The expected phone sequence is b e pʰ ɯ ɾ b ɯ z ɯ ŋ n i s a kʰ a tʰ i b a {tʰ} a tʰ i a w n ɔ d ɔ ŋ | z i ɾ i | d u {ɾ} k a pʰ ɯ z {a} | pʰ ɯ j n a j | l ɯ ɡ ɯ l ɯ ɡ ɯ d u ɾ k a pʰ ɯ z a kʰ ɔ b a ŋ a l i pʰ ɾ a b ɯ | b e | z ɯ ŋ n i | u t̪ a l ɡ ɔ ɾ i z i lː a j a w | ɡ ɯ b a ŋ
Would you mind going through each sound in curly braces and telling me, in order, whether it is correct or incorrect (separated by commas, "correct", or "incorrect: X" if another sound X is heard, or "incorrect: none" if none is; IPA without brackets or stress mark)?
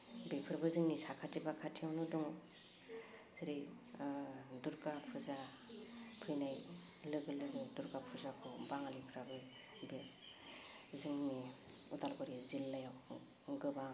incorrect: kʰ, correct, correct